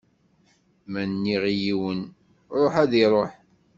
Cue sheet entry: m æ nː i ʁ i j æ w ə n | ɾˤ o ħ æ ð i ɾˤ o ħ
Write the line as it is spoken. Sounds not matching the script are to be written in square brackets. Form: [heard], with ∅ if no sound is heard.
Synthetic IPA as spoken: m æ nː i ʁ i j [i] w ə n | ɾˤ o ħ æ ð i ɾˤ o ħ